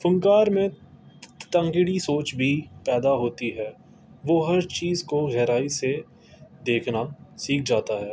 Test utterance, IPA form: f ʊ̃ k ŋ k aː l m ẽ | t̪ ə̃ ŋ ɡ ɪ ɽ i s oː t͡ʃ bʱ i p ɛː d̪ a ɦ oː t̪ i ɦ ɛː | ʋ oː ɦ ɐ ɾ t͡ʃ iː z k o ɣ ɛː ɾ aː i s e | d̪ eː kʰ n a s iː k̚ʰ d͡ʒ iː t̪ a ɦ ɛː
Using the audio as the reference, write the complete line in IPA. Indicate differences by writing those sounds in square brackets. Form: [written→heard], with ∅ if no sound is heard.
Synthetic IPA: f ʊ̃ [k→∅] ŋ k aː [l→ɾ] m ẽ | t̪ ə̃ ŋ ɡ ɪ ɽ i s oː t͡ʃ bʱ i p ɛː d̪ a ɦ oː t̪ i ɦ ɛː | ʋ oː ɦ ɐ ɾ t͡ʃ iː z k o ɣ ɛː ɾ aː i s e | d̪ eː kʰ n a s iː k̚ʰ d͡ʒ [iː→aː] t̪ a ɦ ɛː